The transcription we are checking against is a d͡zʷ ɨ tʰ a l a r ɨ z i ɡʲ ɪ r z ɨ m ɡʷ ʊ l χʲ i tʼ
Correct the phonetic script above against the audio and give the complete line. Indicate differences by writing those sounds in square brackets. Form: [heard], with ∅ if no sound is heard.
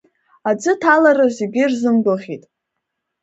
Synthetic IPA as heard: a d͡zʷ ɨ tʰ a l a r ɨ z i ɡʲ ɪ r z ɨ m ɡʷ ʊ l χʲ i tʼ